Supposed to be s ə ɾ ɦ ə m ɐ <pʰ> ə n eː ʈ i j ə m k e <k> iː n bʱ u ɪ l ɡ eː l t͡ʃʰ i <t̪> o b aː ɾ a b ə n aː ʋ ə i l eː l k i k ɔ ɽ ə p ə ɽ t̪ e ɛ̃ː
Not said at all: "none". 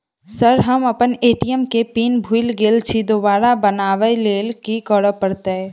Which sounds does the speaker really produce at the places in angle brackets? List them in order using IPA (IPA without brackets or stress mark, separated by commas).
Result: p, p, d̪